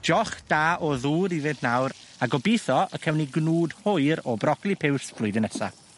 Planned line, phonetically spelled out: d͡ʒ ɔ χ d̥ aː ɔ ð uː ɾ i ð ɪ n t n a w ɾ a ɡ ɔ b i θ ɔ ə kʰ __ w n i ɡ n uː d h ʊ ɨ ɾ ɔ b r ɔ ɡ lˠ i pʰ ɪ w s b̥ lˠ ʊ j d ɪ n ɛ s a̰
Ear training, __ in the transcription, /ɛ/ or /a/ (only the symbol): ɛ